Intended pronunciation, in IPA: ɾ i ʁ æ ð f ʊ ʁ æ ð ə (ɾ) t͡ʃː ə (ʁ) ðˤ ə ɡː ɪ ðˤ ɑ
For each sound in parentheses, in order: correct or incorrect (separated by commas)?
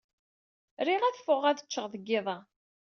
incorrect, correct